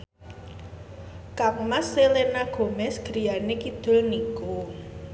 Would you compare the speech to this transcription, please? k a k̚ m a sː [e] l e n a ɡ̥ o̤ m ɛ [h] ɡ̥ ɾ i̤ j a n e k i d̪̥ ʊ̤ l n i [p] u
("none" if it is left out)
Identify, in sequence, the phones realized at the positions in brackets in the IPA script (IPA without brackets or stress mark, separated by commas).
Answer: e, s, k